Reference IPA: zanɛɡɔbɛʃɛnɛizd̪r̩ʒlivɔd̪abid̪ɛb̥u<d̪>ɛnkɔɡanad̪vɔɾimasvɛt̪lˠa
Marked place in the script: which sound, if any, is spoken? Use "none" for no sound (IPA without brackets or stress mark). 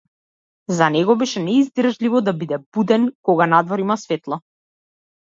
d̪